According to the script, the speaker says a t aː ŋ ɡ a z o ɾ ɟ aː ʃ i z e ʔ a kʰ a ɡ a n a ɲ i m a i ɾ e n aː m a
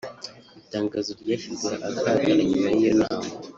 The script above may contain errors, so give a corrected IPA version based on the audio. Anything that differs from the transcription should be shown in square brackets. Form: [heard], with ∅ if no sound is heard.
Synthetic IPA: [i] t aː ŋ ɡ a z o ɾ ɟ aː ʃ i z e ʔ a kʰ a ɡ a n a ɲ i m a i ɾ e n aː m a